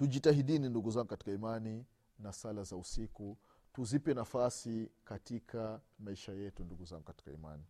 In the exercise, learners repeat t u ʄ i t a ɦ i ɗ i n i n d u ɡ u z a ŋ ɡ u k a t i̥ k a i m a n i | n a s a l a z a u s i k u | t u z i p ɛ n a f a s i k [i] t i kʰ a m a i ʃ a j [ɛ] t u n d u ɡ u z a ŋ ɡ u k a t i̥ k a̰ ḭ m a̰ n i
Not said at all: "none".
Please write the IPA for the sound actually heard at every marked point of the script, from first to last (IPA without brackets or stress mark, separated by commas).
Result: a, ɛ